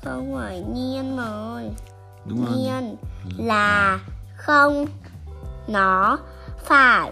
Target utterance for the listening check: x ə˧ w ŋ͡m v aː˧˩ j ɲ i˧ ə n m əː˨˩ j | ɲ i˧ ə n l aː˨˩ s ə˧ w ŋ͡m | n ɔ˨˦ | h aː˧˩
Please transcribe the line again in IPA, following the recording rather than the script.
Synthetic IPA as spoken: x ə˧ w ŋ͡m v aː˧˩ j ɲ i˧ ə n m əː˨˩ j | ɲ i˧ ə n l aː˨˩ x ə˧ w ŋ͡m | n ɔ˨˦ | f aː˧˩